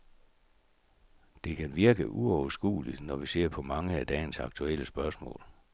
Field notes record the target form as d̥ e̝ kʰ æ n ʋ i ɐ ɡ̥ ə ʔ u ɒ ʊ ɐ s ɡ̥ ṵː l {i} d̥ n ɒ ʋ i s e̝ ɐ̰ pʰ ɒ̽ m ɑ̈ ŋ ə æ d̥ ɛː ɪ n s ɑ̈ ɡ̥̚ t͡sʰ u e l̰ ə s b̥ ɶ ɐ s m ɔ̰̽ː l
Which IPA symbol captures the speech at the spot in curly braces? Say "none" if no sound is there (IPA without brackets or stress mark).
i